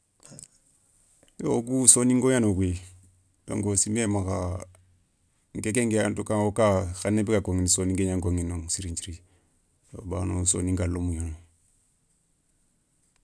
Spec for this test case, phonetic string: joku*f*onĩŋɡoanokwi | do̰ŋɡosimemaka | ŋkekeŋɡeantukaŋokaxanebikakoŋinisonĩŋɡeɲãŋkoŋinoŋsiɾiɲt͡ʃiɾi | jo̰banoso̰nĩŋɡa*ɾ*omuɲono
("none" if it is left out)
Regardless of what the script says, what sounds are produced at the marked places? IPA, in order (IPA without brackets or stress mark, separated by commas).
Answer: s, l